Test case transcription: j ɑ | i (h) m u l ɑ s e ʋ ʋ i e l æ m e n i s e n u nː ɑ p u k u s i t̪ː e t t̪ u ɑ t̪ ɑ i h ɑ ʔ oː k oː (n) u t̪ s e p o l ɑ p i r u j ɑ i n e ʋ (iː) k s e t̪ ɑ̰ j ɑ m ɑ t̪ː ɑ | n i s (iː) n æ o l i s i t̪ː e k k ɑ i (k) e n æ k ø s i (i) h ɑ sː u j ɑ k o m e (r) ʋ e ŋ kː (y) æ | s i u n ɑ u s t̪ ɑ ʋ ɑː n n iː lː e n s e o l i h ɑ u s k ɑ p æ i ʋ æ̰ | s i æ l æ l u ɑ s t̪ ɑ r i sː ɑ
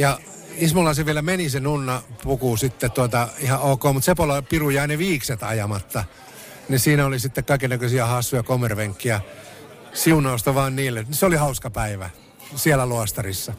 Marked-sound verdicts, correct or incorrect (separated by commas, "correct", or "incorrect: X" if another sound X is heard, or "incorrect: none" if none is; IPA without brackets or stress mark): incorrect: s, incorrect: m, correct, correct, correct, incorrect: æ, correct, incorrect: i